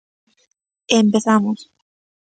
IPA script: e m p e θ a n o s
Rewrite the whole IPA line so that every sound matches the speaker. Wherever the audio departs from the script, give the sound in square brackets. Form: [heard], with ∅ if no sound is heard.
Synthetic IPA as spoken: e m p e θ a [m] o s